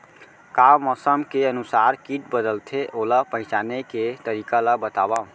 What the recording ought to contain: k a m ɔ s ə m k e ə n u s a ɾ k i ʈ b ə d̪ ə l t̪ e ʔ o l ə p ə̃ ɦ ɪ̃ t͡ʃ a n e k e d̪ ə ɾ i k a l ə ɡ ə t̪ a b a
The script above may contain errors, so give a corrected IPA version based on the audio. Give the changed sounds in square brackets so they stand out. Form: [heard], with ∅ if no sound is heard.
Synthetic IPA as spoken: k a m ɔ s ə m k e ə n u s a ɾ k i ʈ b ə d̪ ə l [t̪ʰ] e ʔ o l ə p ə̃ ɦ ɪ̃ t͡ʃ a n e k e [t̪] ə ɾ i k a l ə [b] ə t̪ a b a